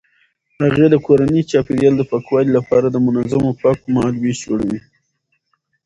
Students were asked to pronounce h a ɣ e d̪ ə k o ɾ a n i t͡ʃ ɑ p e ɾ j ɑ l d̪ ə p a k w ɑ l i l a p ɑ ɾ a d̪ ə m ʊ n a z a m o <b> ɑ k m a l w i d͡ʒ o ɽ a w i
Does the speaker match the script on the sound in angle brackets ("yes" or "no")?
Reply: no